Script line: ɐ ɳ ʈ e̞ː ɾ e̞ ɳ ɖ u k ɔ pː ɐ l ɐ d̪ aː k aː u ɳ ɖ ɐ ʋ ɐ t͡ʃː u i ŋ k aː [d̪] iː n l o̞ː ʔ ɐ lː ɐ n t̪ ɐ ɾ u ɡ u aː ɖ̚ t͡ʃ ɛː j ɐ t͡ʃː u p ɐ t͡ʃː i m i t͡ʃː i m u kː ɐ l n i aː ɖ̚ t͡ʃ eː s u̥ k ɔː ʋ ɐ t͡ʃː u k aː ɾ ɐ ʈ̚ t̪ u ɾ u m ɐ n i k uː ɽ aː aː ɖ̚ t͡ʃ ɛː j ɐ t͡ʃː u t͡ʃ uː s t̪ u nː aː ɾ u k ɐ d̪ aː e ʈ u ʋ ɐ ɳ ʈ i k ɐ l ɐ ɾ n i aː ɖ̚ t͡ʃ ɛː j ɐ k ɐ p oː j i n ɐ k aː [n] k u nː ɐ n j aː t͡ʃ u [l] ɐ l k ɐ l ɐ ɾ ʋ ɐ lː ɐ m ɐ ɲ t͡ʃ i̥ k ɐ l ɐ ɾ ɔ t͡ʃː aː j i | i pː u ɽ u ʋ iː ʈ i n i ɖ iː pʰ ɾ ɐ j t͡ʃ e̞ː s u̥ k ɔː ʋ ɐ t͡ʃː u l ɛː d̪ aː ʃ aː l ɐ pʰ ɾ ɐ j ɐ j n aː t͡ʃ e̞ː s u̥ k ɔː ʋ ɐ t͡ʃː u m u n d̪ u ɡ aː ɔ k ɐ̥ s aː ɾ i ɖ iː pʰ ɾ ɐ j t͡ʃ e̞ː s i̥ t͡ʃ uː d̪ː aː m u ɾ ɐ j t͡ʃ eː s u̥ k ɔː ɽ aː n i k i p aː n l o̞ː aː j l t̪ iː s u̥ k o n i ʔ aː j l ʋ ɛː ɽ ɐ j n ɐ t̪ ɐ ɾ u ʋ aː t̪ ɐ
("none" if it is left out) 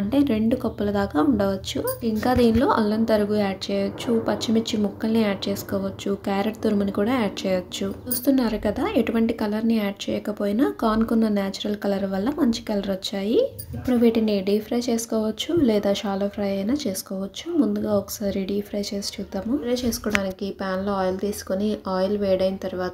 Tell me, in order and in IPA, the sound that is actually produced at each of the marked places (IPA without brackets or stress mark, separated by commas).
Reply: d̪, n, ɾ